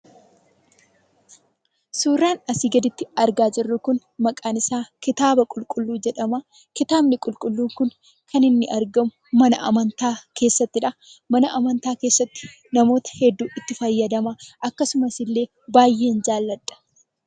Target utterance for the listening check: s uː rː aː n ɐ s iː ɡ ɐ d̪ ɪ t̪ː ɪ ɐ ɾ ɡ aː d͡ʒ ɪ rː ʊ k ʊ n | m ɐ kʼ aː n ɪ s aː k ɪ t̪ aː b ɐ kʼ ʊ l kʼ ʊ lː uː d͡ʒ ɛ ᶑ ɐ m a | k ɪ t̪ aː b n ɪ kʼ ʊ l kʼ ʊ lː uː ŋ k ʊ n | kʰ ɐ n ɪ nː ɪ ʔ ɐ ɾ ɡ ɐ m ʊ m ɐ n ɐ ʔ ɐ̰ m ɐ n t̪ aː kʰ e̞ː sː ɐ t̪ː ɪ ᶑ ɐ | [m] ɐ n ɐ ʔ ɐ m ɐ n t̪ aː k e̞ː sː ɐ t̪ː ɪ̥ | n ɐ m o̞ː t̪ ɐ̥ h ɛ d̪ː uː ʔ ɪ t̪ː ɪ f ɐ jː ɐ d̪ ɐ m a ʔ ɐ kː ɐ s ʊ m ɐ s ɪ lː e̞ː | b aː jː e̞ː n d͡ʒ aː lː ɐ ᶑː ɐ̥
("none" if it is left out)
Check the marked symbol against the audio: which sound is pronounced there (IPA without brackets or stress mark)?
m